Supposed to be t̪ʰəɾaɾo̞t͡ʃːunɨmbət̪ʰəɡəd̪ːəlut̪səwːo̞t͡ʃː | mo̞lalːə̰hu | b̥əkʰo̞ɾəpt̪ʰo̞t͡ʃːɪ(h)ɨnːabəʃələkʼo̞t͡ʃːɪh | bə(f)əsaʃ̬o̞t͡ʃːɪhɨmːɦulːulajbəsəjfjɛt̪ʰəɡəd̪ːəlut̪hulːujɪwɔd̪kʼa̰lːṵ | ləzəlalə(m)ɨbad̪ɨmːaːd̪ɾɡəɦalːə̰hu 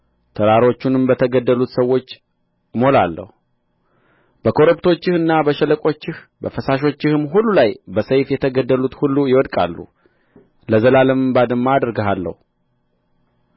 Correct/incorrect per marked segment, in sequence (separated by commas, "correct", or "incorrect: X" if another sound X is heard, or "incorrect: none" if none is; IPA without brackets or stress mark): correct, correct, correct